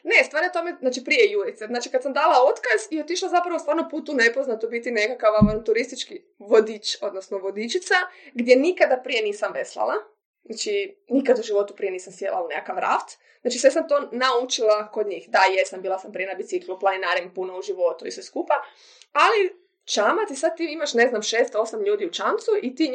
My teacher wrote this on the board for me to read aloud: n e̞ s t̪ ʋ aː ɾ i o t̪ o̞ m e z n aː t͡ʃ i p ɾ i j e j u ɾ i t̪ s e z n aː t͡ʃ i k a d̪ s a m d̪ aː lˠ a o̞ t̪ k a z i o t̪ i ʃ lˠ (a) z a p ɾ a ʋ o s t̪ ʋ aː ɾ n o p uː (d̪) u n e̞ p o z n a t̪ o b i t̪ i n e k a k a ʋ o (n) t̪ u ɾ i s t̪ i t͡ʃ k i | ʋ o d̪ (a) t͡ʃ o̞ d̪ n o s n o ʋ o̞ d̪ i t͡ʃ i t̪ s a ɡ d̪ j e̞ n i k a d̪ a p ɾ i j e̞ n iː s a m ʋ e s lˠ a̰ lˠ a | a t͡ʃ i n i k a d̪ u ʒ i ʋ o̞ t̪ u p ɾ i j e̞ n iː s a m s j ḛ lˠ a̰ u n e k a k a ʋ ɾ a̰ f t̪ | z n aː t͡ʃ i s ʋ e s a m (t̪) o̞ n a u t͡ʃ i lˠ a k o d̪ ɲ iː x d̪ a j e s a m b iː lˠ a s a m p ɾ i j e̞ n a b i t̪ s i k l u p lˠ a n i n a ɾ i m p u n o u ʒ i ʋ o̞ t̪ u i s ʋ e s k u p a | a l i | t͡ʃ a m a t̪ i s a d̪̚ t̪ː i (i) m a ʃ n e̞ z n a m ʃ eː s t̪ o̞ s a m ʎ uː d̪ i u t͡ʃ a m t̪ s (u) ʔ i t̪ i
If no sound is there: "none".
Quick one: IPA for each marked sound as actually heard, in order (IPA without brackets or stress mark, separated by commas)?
a, t̪, n, i, t̪, i, u